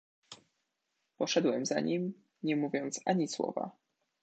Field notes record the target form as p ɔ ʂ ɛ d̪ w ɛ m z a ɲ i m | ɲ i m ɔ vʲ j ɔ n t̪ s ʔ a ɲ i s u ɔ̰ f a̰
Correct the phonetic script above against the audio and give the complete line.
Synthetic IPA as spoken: p ɔ ʂ ɛ d̪ w ɛ m z a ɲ i m | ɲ ɛ m u vʲ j ɔ n t̪ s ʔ a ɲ i s w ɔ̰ v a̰